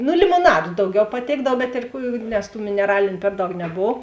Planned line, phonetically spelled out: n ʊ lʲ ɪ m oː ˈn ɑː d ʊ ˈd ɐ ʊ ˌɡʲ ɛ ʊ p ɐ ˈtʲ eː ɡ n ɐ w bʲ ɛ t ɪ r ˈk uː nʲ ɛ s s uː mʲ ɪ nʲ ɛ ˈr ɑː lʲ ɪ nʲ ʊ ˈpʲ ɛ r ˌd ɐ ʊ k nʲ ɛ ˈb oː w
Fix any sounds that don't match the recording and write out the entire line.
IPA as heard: n ʊ lʲ ɪ m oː ˈn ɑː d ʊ ˈd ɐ ʊ ˌɡʲ ɛ ʊ p ɐ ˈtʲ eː ɡ d ɐ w bʲ ɛ t ɪ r ˈk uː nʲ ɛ s t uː mʲ ɪ nʲ ɛ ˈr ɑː lʲ ɪ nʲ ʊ ˈpʲ ɛ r ˌd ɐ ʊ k nʲ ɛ ˈb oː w